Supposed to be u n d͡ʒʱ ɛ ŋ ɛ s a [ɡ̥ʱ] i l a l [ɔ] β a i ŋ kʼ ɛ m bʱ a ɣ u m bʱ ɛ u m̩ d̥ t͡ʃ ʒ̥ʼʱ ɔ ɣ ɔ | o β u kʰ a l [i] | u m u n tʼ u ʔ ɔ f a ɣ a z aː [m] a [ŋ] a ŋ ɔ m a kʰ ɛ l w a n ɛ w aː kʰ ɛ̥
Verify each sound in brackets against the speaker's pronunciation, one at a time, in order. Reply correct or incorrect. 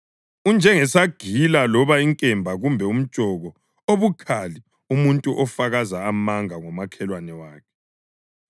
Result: correct, correct, correct, correct, correct

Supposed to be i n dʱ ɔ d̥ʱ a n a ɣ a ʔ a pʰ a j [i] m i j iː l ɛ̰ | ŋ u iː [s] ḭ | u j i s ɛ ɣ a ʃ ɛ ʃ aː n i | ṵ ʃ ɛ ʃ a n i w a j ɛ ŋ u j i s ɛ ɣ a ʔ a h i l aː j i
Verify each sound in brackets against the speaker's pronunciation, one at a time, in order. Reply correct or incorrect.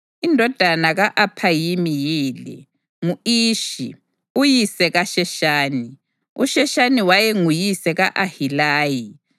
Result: correct, incorrect

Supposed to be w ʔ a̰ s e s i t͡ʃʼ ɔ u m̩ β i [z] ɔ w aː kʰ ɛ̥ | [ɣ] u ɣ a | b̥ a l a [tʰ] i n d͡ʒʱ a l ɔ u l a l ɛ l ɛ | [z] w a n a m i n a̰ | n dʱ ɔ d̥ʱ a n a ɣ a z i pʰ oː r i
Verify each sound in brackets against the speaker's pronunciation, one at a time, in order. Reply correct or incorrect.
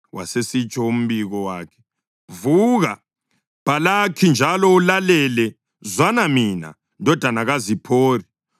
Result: incorrect, incorrect, incorrect, correct

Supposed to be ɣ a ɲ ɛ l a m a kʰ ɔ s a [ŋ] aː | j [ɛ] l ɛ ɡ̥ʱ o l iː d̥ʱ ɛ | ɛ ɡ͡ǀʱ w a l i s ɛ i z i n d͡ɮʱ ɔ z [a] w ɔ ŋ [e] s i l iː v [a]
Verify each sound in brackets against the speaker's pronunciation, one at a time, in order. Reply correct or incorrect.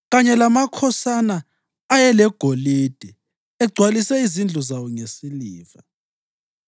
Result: incorrect, correct, correct, correct, correct

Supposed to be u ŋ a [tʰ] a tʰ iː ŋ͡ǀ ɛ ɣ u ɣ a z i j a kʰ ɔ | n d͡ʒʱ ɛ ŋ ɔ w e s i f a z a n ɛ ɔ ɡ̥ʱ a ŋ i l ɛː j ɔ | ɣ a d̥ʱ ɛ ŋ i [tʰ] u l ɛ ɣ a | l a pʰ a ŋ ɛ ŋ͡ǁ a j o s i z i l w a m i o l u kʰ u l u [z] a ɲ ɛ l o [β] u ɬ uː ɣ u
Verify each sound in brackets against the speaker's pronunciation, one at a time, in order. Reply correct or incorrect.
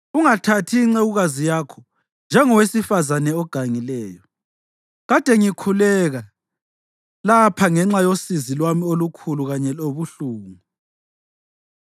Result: correct, incorrect, incorrect, correct

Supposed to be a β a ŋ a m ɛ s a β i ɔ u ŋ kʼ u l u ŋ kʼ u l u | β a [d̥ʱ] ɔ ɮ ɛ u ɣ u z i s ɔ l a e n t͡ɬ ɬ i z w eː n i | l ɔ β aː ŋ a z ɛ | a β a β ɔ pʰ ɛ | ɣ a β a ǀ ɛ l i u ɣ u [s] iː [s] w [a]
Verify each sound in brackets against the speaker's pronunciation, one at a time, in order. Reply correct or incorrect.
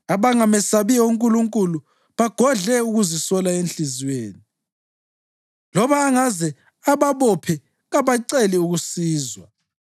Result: incorrect, correct, incorrect, correct

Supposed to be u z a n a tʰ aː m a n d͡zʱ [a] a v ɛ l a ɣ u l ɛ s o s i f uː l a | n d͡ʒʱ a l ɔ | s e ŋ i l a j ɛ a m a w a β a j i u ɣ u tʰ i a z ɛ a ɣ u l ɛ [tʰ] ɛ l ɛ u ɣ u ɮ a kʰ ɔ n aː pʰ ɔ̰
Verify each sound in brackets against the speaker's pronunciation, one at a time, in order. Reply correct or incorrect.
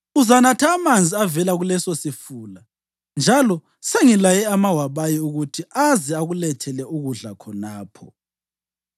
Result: incorrect, correct

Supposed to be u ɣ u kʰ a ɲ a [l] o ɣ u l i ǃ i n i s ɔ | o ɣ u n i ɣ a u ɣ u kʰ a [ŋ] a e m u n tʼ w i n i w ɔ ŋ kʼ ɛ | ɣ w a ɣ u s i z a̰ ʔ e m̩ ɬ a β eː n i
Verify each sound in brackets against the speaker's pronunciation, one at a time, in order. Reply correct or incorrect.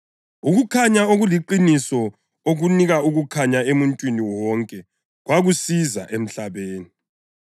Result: incorrect, incorrect

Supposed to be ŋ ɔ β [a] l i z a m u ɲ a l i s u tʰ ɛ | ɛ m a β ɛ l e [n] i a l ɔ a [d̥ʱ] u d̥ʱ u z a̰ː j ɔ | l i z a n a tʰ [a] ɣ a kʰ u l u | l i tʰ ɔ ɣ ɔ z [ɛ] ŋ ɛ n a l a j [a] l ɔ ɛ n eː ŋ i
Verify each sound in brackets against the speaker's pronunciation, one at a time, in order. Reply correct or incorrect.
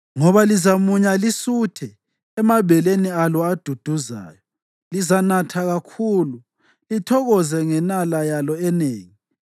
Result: correct, correct, correct, correct, correct, correct

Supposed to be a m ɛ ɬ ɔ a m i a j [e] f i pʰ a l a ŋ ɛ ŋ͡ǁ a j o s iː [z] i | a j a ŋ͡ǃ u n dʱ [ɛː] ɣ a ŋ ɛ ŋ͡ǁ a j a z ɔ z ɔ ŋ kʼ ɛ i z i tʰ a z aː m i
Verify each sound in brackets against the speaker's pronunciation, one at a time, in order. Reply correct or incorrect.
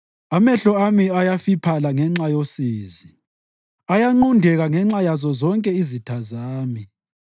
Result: incorrect, correct, incorrect

